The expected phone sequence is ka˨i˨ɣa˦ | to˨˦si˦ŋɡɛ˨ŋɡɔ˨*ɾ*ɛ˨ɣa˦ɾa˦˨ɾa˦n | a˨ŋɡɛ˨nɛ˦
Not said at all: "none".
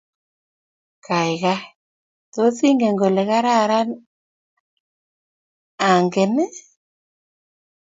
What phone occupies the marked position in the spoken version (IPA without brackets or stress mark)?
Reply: l